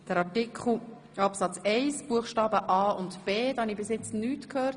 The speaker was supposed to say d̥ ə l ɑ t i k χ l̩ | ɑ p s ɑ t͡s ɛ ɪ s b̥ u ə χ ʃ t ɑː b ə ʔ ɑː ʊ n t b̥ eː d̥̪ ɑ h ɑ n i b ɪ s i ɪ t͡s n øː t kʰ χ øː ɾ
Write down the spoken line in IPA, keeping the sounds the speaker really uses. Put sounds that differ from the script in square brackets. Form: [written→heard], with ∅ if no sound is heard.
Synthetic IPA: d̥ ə [l→ɾ] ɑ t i k χ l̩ | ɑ p s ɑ t͡s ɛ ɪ s b̥ u ə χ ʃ t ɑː b ə ʔ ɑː ʊ n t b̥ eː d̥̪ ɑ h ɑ n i b ɪ s [i→j] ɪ t͡s n [øː→yː] t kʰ [χ→h] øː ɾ